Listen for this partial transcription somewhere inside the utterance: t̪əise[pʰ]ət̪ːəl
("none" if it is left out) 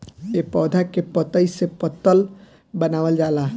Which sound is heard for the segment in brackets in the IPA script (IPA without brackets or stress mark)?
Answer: p